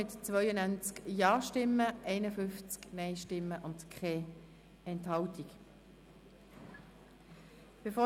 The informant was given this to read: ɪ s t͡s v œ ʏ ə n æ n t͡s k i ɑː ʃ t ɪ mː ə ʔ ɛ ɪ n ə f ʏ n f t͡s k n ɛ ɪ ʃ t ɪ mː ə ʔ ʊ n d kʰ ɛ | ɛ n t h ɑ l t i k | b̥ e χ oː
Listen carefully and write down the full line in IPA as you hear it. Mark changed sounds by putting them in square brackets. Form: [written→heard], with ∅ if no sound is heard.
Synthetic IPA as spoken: ɪ [s→t] t͡s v œ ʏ ə n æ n t͡s k [i→j] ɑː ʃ t ɪ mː ə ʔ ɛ ɪ n ə f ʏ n f t͡s k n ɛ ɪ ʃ t ɪ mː ə ʔ ʊ n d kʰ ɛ | ɛ n t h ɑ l t i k | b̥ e [χ→f] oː